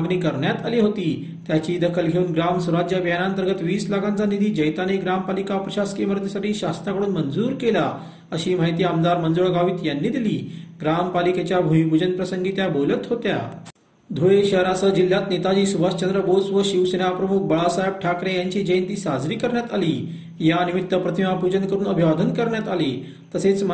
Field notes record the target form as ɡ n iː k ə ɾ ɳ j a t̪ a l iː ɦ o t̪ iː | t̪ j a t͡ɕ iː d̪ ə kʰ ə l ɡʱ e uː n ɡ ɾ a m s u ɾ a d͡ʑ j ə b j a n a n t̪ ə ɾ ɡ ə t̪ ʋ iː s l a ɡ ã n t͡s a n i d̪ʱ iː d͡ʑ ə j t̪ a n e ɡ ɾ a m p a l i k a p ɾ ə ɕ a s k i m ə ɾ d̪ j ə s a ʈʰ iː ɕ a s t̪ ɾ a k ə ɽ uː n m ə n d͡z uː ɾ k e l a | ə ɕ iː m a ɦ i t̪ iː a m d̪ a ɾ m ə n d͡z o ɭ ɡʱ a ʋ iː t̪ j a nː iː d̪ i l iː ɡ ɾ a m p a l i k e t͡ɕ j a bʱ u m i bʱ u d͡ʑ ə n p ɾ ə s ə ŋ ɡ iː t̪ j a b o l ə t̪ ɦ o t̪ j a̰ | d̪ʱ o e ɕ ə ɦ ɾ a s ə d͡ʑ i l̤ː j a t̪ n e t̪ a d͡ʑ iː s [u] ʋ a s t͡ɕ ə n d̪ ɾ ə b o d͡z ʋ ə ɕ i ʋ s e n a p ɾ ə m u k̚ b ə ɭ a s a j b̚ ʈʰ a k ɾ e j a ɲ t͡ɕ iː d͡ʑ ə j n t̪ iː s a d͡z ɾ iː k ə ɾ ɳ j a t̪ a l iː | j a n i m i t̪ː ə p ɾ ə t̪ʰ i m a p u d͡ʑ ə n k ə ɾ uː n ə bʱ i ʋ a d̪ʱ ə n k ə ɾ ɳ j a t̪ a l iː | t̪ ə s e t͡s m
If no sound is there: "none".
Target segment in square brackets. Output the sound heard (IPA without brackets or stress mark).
u